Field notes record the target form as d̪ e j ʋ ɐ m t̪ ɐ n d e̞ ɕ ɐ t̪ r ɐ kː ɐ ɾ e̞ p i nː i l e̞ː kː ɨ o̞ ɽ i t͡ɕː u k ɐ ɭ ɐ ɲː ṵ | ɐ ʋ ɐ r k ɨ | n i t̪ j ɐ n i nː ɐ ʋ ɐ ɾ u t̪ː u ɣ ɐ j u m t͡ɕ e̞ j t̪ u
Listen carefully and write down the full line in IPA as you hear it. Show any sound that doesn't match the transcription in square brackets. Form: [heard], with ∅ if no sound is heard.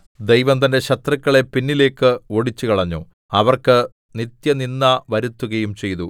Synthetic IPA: d̪ e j ʋ ɐ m t̪ ɐ n d e̞ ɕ ɐ t̪ r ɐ kː ɐ [ɭ] e̞ p i nː i l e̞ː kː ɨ o̞ ɽ i t͡ɕː u k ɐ ɭ ɐ ɲː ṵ | ɐ ʋ ɐ r k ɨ | n i t̪ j ɐ n i nː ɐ ʋ ɐ ɾ u t̪ː u ɣ ɐ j u m t͡ɕ e̞ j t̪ u